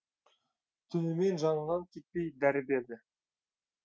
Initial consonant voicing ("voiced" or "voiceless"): voiceless